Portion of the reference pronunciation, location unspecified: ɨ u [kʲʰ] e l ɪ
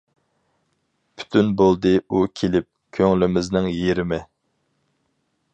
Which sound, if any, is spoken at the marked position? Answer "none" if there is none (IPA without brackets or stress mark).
kʲʰ